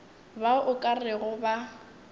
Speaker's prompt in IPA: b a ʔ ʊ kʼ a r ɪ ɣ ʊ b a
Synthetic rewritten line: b a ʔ ʊ kʼ a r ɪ ɣ ʊ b a